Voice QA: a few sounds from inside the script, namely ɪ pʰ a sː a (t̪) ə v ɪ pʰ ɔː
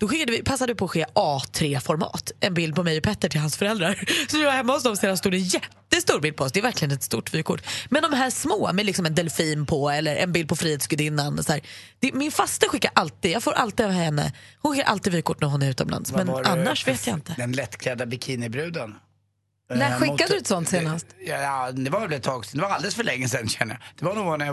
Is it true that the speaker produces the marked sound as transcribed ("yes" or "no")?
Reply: no